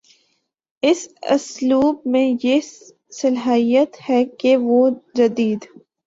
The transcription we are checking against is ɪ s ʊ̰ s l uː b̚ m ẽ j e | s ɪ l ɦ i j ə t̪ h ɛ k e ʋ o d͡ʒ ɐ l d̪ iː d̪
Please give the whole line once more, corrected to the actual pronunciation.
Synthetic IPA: ɪ s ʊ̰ s l uː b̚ m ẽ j e | s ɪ l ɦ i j ə t̪ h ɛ k e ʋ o d͡ʒ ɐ d̪ iː d̪